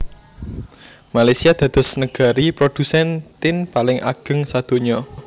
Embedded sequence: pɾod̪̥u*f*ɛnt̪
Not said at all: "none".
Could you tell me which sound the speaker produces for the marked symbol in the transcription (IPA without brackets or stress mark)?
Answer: s